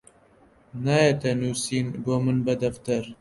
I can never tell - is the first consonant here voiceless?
no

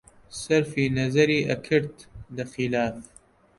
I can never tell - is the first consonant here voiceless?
yes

